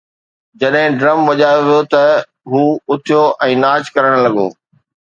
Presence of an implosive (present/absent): present